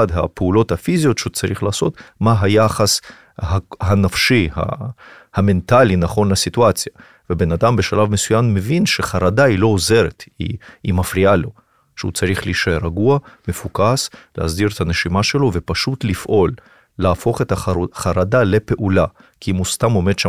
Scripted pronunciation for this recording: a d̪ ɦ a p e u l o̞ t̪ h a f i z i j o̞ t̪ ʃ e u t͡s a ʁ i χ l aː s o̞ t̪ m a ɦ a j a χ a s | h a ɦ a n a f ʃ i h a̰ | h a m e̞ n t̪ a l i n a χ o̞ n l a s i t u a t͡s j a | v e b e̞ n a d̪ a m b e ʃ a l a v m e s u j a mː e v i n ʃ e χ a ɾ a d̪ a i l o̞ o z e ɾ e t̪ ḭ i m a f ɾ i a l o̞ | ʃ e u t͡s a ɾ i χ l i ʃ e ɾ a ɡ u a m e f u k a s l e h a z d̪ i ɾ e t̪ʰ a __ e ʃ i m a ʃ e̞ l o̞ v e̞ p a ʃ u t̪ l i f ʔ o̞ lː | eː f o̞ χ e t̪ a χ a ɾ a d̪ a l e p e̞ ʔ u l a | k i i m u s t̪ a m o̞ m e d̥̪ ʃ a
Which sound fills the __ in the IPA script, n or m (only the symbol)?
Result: n